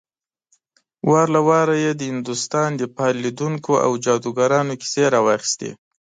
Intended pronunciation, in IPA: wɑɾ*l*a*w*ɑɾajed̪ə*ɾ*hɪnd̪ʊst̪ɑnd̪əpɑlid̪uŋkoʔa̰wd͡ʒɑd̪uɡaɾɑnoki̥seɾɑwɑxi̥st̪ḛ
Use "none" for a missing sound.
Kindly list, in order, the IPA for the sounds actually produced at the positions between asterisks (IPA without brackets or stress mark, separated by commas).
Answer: l, w, none